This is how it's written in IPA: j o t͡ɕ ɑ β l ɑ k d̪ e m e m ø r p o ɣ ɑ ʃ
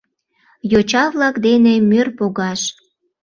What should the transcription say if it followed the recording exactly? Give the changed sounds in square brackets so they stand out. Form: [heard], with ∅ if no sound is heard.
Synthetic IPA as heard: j o t͡ɕ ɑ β l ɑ k d̪ e [n] e m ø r p o ɣ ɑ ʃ